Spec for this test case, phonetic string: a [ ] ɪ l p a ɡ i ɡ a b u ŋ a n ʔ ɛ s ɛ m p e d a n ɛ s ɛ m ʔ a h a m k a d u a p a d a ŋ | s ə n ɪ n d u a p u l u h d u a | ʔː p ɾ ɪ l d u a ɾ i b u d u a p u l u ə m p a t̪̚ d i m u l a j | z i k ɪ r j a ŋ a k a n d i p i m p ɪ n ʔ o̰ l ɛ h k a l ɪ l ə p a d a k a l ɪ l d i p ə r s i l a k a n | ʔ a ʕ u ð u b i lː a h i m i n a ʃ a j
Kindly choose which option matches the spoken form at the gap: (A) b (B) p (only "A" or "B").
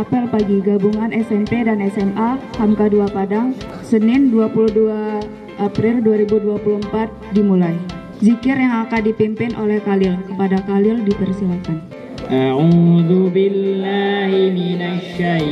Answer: B